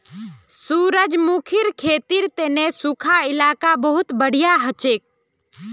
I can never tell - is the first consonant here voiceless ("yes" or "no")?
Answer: yes